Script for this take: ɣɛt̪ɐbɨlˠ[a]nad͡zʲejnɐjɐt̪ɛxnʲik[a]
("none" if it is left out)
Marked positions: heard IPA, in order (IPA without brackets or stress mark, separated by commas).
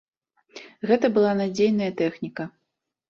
a, ɐ